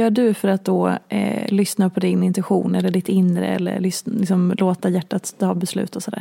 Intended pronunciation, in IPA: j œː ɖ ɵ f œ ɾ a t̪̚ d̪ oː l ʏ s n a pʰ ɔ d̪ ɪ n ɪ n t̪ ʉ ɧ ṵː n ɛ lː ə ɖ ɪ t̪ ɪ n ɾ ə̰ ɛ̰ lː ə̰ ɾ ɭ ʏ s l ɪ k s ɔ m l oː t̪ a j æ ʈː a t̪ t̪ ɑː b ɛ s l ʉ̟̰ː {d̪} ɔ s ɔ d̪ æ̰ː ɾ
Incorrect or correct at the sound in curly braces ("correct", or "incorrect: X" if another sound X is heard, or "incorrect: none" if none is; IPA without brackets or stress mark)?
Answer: incorrect: t̪